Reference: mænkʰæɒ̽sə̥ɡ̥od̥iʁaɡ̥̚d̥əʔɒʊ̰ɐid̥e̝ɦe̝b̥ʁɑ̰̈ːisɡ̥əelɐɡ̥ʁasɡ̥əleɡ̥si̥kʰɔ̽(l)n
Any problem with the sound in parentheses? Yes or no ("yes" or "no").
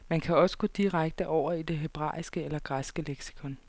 yes